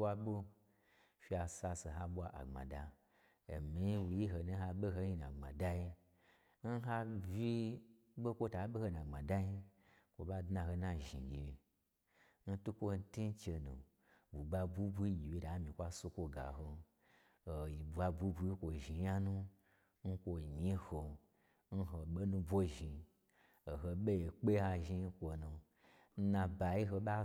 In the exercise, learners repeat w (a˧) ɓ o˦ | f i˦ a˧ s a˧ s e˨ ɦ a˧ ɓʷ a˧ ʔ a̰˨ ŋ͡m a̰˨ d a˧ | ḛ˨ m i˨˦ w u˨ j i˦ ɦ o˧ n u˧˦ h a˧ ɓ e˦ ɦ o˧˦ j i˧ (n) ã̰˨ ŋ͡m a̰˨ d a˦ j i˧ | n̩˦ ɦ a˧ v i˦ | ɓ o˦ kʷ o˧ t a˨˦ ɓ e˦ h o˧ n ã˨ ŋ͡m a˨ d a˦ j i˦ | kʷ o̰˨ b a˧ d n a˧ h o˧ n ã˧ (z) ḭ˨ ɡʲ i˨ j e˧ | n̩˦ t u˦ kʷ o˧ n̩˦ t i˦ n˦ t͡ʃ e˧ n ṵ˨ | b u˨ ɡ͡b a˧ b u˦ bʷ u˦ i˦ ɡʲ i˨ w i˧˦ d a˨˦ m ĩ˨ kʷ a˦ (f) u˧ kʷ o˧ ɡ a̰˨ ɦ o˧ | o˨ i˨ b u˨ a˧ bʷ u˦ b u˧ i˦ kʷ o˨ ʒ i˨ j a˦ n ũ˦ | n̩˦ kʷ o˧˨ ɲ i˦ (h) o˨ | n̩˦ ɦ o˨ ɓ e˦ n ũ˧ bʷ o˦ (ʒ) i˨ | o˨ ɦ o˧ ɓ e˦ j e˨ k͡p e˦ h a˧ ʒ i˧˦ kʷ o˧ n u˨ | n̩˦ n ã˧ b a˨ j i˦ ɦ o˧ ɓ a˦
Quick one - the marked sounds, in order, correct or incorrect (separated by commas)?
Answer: correct, correct, incorrect, incorrect, correct, correct